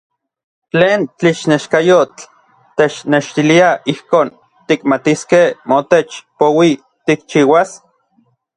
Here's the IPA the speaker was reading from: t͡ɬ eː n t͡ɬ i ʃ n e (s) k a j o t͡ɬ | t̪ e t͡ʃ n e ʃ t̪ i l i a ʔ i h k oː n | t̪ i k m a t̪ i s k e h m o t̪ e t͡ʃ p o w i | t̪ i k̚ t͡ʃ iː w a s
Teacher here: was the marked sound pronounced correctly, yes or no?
no